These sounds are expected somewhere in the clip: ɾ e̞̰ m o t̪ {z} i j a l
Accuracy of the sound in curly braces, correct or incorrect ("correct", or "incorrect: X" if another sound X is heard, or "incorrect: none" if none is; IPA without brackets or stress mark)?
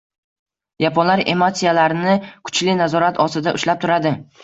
incorrect: s